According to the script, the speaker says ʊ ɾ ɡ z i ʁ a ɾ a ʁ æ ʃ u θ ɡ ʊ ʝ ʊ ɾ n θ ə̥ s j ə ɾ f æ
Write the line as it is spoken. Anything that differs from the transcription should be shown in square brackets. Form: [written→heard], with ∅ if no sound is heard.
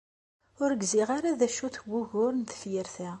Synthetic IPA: ʊ ɾ ɡ z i ʁ a ɾ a [ʁ→ð] æ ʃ u θ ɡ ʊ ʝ ʊ ɾ n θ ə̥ [s→f] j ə ɾ [f→θ] æ